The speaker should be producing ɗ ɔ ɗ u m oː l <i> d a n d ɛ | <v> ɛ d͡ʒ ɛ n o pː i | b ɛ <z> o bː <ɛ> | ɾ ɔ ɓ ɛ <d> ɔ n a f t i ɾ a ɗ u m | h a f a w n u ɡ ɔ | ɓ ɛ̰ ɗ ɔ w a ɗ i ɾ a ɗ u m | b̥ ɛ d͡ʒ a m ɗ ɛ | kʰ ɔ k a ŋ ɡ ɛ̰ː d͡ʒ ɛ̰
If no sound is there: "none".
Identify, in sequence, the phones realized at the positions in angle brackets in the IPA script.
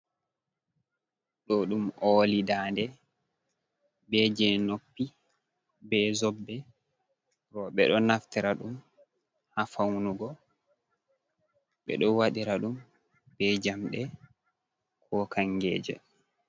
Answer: i, b, z, ɛ, ɗ

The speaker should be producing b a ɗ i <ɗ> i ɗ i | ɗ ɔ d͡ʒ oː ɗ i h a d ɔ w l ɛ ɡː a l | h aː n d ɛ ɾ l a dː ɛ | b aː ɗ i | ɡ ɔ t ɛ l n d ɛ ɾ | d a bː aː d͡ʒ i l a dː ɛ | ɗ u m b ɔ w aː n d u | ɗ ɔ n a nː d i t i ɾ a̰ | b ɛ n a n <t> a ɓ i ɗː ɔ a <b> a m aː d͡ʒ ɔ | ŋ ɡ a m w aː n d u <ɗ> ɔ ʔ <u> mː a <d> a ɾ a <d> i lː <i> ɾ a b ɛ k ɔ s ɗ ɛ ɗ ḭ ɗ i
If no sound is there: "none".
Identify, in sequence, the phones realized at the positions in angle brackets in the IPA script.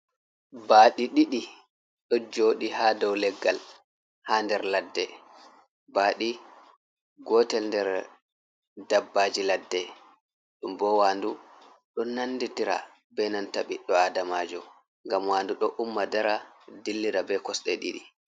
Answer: ɗ, t, d, ɗ, u, d, d, i

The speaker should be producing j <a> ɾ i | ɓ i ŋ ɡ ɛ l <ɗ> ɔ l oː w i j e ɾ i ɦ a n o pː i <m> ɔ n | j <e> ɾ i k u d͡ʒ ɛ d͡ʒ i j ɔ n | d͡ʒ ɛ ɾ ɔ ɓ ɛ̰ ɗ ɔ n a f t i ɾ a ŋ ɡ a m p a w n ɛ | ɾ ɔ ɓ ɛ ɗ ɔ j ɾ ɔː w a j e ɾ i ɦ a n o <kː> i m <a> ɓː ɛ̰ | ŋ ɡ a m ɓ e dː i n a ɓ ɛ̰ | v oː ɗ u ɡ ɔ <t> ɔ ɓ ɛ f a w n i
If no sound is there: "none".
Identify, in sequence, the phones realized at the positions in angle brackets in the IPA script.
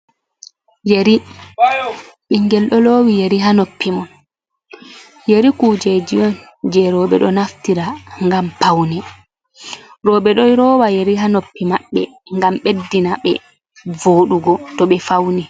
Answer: e, ɗ, m, e, pː, a, t

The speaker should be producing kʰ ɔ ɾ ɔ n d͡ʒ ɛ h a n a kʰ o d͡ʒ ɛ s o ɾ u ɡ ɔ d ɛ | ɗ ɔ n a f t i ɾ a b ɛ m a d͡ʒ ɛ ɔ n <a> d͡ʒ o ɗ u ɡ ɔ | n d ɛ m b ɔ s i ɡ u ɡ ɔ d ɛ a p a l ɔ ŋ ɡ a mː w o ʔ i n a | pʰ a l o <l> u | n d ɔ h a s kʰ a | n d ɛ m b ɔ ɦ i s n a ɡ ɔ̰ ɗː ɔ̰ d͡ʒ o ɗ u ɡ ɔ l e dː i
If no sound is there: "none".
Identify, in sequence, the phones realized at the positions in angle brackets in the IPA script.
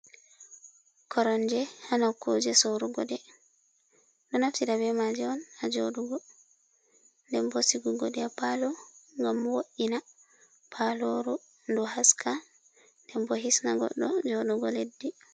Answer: a, ɾ

